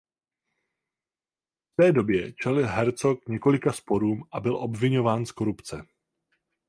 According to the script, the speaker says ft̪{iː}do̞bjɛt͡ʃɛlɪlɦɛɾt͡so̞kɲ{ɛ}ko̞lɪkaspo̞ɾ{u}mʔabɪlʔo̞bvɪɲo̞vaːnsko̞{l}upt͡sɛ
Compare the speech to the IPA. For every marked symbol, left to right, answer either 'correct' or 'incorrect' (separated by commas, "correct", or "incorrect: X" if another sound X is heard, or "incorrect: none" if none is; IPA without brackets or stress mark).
incorrect: ɛː, correct, incorrect: uː, incorrect: ɾ